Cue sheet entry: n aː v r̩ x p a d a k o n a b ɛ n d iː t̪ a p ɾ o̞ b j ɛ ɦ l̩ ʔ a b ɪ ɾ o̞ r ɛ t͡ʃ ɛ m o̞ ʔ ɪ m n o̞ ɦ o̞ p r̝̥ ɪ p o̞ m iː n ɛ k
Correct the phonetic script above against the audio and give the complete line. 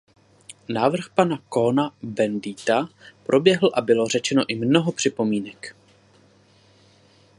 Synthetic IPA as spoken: n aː v r̩ x p a n a k o n a b ɛ n d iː t̪ a p ɾ o̞ b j ɛ ɦ l̩ ʔ a b ɪ l o̞ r ɛ t͡ʃ ɛ n o̞ ʔ ɪ m n o̞ ɦ o̞ p r̝̥ ɪ p o̞ m iː n ɛ k